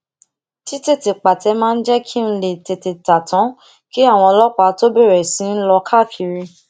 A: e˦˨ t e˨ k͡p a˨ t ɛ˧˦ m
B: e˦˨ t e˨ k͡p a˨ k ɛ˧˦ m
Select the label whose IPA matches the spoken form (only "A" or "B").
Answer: A